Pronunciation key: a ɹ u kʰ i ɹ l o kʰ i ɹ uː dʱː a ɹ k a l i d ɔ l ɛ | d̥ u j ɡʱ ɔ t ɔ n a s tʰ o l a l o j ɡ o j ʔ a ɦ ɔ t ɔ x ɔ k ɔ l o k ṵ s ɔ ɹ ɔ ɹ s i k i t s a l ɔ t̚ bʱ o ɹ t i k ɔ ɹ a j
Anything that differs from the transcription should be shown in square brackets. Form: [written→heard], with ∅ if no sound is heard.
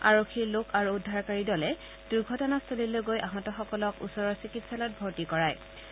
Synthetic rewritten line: a ɹ [u→o] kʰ i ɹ l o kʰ [i→a] ɹ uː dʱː a ɹ k a [l→ɹ] i d ɔ l ɛ | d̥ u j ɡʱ ɔ t ɔ n a s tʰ o l [a→i] l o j ɡ o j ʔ a ɦ ɔ t ɔ x ɔ k ɔ l [o→ɔ] k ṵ s ɔ ɹ ɔ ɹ s i k i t s a l ɔ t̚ bʱ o ɹ t i k ɔ ɹ a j